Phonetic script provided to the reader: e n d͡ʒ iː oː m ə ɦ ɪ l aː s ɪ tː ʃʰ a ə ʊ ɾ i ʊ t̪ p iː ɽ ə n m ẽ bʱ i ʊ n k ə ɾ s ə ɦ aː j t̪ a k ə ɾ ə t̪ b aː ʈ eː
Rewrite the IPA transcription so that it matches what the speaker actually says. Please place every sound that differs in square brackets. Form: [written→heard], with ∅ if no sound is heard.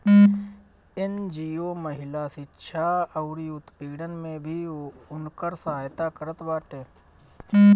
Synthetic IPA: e n d͡ʒ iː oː m ə ɦ ɪ l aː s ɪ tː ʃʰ a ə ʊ ɾ i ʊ t̪ p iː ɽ ə n m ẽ bʱ i ʊ n k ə ɾ s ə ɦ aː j t̪ a k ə ɾ ə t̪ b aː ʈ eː